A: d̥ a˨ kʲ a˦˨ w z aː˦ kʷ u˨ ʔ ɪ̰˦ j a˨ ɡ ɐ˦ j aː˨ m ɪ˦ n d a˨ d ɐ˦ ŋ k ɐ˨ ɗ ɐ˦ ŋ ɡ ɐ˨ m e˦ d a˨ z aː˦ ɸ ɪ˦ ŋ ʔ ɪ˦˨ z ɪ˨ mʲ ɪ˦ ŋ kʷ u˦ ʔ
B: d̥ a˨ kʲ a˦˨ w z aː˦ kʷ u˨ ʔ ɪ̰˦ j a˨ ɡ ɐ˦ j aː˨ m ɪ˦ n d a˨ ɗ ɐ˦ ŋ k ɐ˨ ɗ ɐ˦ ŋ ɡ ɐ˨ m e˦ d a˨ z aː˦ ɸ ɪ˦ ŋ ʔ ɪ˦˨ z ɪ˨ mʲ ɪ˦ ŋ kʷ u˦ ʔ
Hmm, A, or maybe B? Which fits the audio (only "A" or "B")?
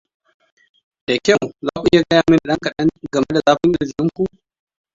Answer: B